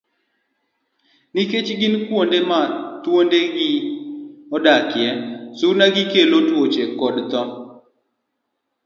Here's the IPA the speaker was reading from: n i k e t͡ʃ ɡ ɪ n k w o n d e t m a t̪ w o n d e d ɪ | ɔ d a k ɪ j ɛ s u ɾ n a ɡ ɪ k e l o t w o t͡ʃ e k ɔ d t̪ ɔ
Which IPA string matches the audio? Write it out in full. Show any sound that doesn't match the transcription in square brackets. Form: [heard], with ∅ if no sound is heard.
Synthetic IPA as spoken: n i k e t͡ʃ ɡ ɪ n k w o n d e [∅] m a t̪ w o n d e [ɡ] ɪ | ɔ d a k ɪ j ɛ s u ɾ n a ɡ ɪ k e l o t w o t͡ʃ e k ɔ d t̪ ɔ